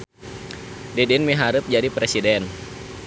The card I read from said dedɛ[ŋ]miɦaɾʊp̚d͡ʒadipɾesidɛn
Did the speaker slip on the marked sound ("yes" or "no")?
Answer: yes